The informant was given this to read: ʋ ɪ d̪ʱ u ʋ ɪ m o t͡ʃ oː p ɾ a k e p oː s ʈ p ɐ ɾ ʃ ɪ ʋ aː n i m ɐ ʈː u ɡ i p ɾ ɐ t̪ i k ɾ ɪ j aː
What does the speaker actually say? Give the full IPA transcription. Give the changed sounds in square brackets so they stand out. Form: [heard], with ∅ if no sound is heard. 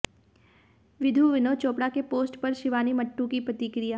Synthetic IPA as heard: ʋ ɪ d̪ʱ u ʋ ɪ [n] o t͡ʃ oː p [ɽ] a k e p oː s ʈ p ɐ ɾ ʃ ɪ ʋ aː n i m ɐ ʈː u [k] i p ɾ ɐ t̪ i k ɾ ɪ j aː